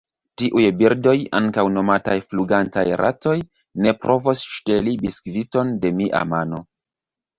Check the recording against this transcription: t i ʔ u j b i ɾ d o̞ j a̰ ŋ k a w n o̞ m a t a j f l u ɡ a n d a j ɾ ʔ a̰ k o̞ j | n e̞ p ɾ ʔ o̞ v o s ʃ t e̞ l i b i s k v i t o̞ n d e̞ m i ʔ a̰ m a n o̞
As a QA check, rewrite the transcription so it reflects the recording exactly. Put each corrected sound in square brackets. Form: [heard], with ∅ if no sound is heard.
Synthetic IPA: t i ʔ u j b i ɾ d o̞ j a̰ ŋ k a w n o̞ m a t a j f l u ɡ a n [t] a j ɾ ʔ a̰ [t] o̞ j | n e̞ p ɾ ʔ o̞ v o s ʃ t e̞ l i b i s k v i t o̞ n d e̞ m i ʔ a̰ m a n o̞